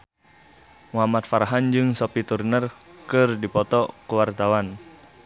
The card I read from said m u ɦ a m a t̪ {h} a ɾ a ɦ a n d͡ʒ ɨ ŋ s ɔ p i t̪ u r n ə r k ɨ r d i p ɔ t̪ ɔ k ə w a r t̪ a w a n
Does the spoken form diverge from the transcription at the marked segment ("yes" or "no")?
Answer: yes